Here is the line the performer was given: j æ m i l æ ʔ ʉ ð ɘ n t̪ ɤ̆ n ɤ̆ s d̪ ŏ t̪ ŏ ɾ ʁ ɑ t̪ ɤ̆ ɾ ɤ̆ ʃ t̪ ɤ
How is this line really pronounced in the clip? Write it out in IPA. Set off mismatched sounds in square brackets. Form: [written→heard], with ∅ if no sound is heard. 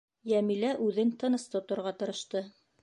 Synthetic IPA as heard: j æ m i l æ ʔ ʉ ð ɘ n t̪ ɤ̆ n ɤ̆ s [d̪→t̪] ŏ t̪ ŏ ɾ ʁ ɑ t̪ ɤ̆ ɾ ɤ̆ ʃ t̪ ɤ